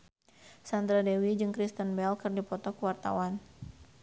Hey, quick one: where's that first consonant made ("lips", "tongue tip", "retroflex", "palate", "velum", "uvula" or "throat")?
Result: tongue tip